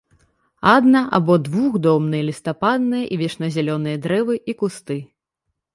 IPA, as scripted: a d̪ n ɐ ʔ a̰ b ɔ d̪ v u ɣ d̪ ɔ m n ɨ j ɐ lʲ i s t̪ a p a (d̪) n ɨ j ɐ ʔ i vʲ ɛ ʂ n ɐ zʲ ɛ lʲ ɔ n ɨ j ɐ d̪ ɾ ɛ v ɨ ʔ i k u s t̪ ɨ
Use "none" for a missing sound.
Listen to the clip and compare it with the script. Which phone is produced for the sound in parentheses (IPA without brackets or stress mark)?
d̪